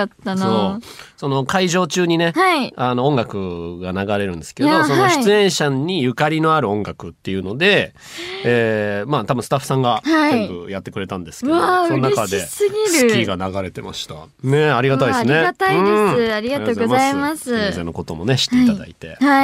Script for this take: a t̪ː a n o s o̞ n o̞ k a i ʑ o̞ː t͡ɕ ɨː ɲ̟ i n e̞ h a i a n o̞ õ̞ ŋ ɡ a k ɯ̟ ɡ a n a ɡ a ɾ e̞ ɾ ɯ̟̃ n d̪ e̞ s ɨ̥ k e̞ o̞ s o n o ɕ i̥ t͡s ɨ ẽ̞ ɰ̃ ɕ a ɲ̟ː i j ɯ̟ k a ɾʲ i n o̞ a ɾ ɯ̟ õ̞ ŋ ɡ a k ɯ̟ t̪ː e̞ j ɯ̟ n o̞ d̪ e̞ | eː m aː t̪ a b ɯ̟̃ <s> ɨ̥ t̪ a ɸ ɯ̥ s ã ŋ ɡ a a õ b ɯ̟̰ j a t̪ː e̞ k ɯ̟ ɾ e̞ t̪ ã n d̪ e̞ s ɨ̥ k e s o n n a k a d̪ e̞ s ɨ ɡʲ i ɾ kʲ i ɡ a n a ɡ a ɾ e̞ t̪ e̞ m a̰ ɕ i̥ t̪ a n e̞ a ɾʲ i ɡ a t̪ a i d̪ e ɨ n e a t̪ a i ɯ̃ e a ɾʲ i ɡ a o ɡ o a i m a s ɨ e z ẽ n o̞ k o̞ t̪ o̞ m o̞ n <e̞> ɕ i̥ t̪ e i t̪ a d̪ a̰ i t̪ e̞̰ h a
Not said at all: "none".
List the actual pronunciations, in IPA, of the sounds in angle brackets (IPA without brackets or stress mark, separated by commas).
s, e̞